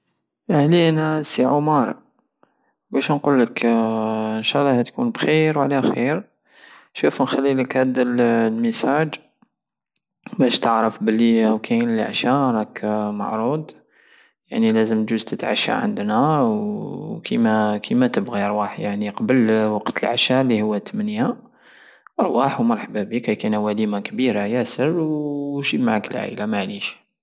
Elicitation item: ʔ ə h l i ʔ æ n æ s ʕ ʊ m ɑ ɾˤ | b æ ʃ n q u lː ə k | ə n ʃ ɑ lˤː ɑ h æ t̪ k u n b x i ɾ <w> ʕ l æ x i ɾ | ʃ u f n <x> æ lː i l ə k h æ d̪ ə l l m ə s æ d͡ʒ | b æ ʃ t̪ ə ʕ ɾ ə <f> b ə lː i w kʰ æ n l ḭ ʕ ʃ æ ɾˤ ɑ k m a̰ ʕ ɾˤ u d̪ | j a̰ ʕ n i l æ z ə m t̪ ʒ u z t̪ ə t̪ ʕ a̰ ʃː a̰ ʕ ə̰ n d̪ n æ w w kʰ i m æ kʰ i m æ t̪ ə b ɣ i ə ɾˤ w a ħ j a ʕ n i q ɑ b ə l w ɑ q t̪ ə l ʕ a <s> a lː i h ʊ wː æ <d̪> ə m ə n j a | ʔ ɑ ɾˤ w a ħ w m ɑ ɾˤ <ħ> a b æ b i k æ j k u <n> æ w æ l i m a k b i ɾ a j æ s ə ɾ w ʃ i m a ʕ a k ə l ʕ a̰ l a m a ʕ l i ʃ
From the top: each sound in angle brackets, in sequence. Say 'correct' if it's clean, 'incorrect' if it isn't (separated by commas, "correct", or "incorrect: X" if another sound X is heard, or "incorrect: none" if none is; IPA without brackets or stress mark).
correct, correct, correct, incorrect: ʃ, incorrect: t̪, correct, correct